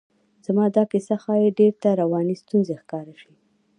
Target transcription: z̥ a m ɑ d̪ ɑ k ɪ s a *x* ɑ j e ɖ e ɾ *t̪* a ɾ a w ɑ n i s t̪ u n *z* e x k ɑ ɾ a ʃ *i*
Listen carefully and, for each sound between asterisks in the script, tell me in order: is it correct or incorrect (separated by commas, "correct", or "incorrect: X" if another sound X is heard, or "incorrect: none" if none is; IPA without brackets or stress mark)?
correct, correct, correct, correct